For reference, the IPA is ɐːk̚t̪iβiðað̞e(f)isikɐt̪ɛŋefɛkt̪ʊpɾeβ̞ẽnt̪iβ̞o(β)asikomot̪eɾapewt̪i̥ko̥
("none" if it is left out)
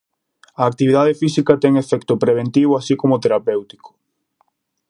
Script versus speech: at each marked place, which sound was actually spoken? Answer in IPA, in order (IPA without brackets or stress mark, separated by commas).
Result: f, none